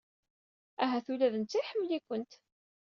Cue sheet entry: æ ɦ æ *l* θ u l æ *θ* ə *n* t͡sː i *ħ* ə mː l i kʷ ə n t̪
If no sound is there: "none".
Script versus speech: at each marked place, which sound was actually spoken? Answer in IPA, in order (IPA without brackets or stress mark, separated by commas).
none, ð, n, ħ